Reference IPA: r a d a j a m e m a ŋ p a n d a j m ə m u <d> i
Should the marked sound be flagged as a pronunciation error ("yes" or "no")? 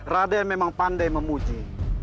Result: yes